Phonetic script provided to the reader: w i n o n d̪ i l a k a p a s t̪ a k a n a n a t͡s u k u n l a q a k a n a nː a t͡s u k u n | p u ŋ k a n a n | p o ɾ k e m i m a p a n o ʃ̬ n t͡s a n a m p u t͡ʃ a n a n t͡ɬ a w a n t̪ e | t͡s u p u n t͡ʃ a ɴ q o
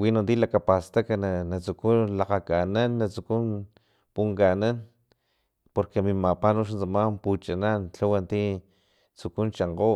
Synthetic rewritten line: w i n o n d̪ i l a k a p a s t̪ a k a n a n a t͡s u k u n l a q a k a n a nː a t͡s u k u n | p u ŋ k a n a n | p o ɾ k e m i m a p a n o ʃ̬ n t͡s a m a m p u t͡ʃ a n a n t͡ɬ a w a n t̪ i | t͡s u k u n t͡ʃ a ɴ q o